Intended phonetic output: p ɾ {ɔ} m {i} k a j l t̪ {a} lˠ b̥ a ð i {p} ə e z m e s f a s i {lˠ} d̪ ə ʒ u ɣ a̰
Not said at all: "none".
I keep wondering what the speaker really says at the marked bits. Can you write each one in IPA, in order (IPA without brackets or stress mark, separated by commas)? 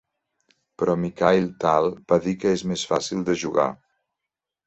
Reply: ɔ, i, a, k, lˠ